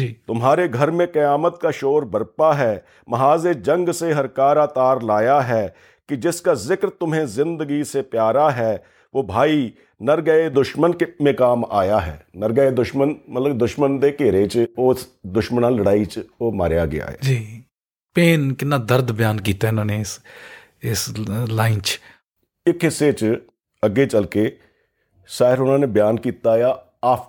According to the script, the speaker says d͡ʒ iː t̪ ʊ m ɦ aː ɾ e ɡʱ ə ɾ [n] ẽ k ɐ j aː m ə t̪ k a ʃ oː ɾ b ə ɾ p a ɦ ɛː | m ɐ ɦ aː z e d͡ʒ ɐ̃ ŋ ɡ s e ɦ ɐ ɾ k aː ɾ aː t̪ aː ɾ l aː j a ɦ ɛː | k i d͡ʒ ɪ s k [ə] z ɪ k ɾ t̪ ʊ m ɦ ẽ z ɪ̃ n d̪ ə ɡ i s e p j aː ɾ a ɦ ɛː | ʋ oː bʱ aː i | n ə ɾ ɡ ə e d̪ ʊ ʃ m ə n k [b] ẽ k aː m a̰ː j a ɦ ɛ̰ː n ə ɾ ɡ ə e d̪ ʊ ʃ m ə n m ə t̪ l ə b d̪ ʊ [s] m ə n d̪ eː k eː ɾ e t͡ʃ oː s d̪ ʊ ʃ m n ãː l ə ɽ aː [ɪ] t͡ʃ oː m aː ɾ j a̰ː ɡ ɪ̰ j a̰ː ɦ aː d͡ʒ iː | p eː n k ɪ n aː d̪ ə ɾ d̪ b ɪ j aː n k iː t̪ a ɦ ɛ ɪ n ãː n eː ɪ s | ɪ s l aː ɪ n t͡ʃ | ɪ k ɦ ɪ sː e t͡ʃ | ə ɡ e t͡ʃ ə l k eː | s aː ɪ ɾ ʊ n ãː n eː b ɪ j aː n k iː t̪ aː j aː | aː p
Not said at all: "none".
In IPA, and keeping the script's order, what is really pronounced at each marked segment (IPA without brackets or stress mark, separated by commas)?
m, a, m, ʃ, i